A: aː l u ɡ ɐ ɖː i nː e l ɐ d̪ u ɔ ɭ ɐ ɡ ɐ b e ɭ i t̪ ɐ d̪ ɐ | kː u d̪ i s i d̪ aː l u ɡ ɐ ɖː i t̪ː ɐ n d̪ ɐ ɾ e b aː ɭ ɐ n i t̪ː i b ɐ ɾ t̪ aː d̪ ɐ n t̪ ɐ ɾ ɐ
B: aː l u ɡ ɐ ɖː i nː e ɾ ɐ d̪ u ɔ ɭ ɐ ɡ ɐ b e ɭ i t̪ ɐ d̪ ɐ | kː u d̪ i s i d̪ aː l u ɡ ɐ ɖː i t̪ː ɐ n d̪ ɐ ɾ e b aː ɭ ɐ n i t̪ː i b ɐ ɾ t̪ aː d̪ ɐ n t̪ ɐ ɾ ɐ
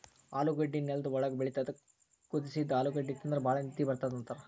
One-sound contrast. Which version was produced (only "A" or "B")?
A